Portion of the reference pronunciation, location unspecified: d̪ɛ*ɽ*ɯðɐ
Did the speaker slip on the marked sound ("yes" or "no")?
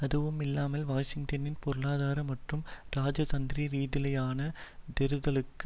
yes